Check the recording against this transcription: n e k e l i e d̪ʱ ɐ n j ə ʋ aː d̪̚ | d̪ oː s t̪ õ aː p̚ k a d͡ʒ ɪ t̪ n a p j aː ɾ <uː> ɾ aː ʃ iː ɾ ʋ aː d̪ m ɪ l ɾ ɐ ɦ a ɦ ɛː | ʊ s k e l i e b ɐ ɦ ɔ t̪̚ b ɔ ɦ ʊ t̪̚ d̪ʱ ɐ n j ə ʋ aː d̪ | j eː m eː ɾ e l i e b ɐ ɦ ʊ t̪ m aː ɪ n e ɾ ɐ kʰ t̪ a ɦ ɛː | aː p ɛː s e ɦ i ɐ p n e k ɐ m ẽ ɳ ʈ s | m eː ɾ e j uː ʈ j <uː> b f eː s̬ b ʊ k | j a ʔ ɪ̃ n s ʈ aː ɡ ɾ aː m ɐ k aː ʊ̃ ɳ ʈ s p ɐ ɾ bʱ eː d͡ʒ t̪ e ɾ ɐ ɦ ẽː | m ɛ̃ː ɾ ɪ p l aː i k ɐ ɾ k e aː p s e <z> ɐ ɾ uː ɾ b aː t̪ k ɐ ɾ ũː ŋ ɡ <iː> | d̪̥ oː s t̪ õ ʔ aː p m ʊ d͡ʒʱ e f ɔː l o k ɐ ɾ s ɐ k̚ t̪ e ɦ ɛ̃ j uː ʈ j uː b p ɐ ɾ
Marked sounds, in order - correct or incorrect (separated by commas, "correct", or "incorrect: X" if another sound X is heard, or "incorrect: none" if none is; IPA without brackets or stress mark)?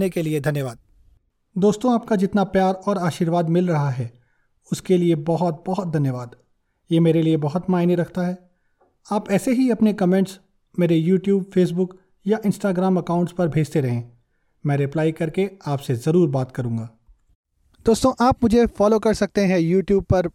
incorrect: ɔː, correct, correct, incorrect: aː